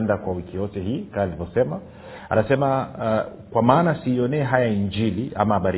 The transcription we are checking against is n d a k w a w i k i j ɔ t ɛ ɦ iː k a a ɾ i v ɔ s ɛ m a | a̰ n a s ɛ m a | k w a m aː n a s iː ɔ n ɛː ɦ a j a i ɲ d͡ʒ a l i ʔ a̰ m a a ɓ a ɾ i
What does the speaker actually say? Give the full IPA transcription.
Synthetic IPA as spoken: n d a k w a w i k i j ɔ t ɛ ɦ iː k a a l i v ɔ s ɛ m a | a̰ n a s ɛ m a | k w a m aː n a s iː ɔ n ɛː ɦ a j a i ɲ d͡ʒ i l i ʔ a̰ m a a ɓ a ɾ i